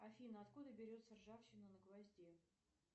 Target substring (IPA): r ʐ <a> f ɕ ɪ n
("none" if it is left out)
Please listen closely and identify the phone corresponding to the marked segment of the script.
a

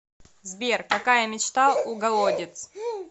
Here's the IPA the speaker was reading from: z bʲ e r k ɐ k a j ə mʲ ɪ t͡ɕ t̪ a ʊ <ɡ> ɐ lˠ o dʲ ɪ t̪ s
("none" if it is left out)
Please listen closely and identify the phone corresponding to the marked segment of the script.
ɡ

